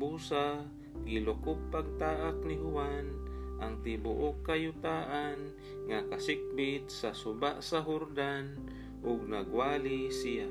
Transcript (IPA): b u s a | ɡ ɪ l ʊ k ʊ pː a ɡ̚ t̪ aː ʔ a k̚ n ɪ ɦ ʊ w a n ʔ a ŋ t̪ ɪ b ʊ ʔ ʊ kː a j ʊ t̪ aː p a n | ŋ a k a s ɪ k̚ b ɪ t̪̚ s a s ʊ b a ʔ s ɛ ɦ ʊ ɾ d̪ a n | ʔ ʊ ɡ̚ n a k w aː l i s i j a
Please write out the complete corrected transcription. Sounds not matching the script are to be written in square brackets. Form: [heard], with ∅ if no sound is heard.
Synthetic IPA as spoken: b u s a | ɡ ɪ l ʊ k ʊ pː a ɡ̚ t̪ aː ʔ a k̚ n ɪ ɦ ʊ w a n ʔ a ŋ t̪ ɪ b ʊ ʔ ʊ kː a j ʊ t̪ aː [ʔ] a n | ŋ a k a s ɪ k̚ b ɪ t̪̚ s a s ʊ b a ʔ s [a] ɦ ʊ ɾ d̪ a n | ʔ ʊ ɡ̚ n a [ɡ] w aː l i s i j a